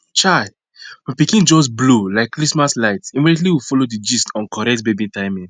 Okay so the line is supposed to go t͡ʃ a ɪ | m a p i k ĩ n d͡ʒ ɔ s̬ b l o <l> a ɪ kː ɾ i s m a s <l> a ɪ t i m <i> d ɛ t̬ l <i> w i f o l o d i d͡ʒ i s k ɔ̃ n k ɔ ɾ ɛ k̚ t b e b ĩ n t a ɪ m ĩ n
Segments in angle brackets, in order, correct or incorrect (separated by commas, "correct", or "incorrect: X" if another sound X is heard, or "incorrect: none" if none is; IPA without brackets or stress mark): correct, correct, correct, correct